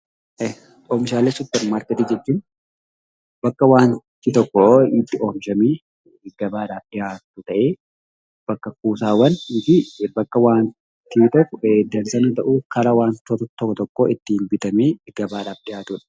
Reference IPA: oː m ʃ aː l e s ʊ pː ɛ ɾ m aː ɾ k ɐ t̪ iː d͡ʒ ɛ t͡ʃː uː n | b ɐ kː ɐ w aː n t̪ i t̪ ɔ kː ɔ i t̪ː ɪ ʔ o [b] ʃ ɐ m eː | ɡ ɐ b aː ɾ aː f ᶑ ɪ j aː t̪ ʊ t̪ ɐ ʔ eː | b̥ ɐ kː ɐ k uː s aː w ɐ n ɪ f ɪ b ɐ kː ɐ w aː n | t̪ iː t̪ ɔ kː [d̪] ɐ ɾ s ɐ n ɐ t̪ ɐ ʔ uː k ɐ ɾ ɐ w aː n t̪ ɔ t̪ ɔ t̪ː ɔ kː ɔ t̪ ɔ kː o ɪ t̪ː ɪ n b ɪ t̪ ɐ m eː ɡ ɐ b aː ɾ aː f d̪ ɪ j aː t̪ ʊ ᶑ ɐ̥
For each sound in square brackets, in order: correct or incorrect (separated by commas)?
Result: incorrect, correct